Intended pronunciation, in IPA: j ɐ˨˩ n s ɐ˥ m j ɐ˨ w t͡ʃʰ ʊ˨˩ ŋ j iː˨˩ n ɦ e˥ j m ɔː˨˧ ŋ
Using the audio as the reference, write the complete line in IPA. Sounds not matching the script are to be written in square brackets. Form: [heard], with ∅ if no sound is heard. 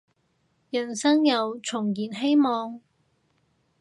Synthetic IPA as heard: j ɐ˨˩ n s ɐ˥ [ŋ] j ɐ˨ w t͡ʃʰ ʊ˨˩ ŋ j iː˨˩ n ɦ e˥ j m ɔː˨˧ ŋ